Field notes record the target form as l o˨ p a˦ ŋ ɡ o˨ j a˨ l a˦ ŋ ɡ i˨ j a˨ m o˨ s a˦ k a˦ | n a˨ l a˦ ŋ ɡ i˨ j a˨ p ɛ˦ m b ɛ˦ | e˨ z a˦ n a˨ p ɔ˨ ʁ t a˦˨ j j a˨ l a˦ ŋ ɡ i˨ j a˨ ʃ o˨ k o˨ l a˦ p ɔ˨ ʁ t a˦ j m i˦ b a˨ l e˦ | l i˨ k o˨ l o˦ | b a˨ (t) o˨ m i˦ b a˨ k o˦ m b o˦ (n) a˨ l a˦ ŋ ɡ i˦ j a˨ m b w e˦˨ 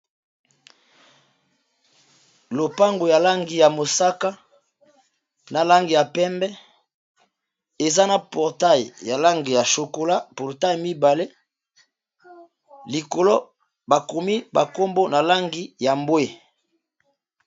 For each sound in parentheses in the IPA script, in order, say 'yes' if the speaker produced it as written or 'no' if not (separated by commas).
no, yes